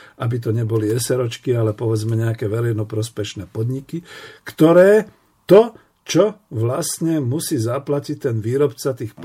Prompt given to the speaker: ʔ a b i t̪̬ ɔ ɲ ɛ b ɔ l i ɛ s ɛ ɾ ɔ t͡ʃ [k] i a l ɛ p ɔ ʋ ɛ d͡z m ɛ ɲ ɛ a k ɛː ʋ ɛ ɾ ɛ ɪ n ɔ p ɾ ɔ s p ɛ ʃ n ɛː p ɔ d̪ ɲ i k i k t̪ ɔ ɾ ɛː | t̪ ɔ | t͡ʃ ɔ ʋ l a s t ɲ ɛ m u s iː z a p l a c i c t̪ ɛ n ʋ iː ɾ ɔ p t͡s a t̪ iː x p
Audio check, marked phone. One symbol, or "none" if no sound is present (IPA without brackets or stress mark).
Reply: k